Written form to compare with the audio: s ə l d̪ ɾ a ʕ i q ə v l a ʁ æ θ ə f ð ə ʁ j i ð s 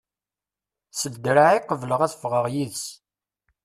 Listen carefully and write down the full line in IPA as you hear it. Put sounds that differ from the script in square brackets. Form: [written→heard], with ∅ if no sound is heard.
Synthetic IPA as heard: s ə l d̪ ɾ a ʕ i q ə v l [a→ə] ʁ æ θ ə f [ð→ʁ] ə ʁ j i ð s